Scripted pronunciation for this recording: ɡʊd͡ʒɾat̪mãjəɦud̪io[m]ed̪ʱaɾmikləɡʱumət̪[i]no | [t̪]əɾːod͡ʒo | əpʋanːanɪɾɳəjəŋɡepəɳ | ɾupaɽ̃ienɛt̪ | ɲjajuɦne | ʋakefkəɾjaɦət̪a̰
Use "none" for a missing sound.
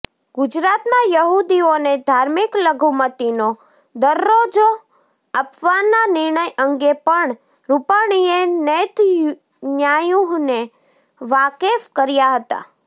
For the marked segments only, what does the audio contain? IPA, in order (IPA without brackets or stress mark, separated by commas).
n, i, d̪